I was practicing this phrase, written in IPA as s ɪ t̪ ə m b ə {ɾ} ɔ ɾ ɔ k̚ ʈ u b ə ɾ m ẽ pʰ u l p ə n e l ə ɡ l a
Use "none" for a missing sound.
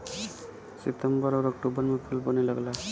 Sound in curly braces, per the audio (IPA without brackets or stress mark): ɾ